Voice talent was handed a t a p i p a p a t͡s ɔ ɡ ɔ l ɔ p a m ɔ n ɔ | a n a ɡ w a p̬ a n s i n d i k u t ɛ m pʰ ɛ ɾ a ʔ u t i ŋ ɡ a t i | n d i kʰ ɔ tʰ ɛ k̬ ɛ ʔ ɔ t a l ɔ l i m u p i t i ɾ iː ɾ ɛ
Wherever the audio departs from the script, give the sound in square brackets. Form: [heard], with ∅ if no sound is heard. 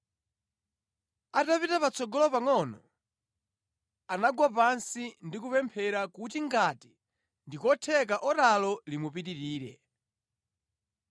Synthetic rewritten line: a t a p i [t] a p a t͡s ɔ ɡ ɔ l ɔ p a [ŋ] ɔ n ɔ | a n a ɡ w a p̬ a n s i n d i k u [p] ɛ m pʰ ɛ ɾ a [k] u t i ŋ ɡ a t i | n d i [k] ɔ tʰ ɛ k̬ [a] ʔ ɔ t a l ɔ l i m u p i t i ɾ iː ɾ ɛ